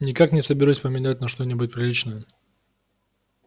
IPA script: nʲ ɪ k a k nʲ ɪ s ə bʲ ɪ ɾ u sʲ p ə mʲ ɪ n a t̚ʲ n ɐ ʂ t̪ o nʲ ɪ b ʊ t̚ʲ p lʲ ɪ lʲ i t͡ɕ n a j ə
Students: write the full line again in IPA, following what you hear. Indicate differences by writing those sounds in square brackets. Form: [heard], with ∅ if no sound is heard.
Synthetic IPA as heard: nʲ ɪ k a k nʲ ɪ s ə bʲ ɪ ɾ u sʲ p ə mʲ ɪ n a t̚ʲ n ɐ ʂ t̪ o nʲ ɪ b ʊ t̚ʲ p [ɾʲ] ɪ lʲ i t͡ɕ n [ə] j ə